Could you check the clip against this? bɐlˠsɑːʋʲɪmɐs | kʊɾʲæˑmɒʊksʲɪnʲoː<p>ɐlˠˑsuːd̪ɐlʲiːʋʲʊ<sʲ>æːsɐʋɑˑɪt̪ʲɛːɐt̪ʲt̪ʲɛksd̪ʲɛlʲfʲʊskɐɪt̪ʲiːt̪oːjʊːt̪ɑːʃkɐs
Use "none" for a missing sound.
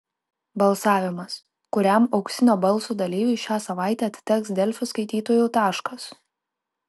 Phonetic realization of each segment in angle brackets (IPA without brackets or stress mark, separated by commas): b, ʃʲ